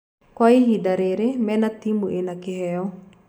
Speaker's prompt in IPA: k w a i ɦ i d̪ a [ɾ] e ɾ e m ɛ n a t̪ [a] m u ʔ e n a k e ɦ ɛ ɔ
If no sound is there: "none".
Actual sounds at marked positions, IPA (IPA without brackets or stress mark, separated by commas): ɾ, i